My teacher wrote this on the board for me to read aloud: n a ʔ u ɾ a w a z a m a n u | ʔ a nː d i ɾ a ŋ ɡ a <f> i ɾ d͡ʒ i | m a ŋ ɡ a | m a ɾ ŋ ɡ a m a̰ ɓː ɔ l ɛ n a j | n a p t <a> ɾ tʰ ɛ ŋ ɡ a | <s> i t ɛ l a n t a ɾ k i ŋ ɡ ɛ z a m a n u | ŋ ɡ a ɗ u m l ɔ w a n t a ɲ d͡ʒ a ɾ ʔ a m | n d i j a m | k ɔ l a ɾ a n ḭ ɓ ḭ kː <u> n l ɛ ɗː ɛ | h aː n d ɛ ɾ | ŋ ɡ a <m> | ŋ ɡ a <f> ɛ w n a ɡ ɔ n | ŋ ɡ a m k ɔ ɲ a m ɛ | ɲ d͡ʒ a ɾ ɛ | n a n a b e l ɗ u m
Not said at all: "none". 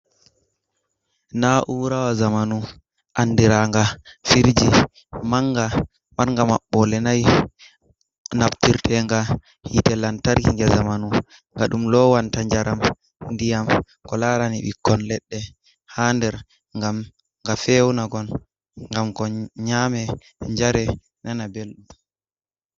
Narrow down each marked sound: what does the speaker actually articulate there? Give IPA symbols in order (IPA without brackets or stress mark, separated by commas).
f, i, h, ɔ, m, f